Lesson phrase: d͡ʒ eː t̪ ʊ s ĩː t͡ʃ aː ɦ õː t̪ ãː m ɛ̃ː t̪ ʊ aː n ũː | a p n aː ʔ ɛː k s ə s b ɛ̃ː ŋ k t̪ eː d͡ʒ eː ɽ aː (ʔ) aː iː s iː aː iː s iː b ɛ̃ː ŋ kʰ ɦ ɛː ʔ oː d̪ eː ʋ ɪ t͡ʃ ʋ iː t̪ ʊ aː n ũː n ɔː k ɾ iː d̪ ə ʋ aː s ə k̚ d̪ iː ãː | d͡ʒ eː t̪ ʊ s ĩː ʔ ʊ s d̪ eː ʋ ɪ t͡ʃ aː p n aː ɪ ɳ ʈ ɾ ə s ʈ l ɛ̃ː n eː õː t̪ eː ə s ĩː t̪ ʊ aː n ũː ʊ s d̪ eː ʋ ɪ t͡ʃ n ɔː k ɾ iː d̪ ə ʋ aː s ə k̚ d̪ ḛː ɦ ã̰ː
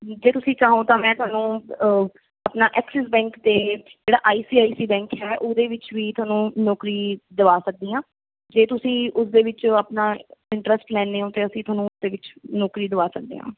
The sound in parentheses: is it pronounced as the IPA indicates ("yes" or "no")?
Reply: yes